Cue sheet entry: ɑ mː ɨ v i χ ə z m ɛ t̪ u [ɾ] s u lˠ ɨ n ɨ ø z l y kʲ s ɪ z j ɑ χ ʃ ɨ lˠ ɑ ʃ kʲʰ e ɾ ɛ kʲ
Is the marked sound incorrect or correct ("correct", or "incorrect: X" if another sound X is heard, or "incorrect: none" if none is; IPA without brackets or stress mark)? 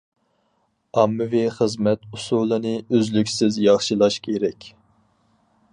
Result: incorrect: none